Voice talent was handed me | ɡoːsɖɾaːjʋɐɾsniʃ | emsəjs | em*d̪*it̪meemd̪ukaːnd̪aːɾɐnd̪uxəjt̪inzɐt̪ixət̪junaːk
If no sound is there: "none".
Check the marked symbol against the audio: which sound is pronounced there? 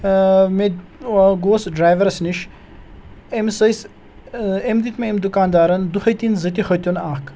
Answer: d̪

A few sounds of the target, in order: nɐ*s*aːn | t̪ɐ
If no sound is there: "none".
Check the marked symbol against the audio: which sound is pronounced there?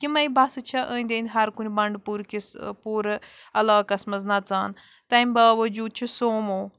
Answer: t͡s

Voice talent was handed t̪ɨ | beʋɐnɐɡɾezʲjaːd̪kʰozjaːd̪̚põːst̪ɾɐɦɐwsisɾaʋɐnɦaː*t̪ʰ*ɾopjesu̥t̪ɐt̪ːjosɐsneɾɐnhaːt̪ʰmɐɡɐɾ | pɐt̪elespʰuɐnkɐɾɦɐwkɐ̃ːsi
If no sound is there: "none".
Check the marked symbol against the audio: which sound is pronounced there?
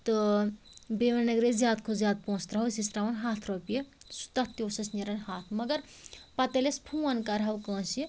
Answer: t̪ʰ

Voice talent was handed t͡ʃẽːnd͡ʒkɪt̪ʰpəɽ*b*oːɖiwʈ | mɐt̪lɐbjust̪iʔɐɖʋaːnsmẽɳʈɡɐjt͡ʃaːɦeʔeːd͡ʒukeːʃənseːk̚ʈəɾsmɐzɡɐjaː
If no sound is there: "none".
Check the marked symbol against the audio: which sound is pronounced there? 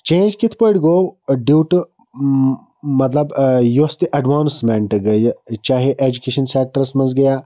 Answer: ɡ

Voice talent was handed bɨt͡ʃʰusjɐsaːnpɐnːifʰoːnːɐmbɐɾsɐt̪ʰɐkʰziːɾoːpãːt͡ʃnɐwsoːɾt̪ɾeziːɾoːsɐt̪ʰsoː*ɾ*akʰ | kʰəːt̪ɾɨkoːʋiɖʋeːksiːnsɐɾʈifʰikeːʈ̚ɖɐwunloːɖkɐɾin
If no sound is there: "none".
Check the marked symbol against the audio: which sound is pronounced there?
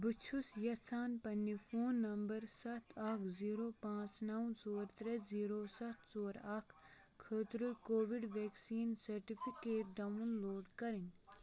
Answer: ɾ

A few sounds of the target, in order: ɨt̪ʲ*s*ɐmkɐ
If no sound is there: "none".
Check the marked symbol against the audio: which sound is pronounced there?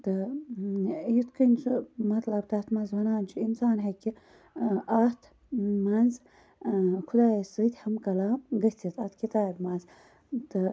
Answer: h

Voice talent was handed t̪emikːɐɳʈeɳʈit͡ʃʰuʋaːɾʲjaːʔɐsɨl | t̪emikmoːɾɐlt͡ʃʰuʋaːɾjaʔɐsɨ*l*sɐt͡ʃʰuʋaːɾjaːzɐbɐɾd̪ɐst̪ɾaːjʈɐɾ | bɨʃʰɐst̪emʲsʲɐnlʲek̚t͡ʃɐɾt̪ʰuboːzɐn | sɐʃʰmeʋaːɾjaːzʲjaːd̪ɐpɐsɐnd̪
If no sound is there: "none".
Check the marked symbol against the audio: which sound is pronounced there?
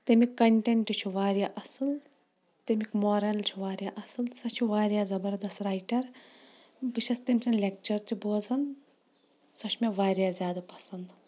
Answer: l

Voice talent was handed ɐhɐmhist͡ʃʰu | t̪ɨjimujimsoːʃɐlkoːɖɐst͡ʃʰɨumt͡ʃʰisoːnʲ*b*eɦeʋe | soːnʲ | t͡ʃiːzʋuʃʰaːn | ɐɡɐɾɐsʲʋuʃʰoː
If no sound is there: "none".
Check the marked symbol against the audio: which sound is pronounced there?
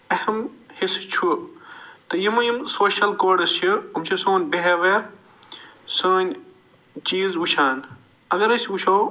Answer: b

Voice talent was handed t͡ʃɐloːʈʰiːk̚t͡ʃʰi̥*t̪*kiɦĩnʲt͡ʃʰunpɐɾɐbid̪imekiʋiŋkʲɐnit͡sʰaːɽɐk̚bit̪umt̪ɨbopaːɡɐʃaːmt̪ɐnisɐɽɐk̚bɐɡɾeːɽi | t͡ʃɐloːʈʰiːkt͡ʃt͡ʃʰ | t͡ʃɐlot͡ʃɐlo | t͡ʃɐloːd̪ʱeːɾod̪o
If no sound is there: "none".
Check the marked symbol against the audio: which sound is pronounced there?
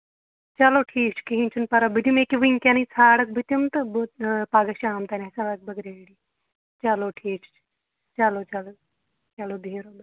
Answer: none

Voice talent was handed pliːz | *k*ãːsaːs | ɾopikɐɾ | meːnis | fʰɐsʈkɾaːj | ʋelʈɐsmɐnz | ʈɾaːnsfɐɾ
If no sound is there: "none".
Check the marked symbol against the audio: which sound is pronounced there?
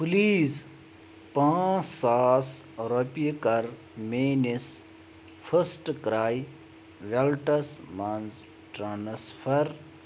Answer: p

